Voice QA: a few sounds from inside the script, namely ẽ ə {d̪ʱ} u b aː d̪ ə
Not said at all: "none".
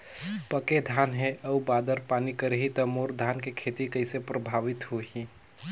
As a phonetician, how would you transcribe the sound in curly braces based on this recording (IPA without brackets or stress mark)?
none